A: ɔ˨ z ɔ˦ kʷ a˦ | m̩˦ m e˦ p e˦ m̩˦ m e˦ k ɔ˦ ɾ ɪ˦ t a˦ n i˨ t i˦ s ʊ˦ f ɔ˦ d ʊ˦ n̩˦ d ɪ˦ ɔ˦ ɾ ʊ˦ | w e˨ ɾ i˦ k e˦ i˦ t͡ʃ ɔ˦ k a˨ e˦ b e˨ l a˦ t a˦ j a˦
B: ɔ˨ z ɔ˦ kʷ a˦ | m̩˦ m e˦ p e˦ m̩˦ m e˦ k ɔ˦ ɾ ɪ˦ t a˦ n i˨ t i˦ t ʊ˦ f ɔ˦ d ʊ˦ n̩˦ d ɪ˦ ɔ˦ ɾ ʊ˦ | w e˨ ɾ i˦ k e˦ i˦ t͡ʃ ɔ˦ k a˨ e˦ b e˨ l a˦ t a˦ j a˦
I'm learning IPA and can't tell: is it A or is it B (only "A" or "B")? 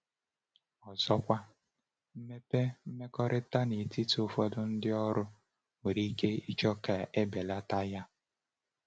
B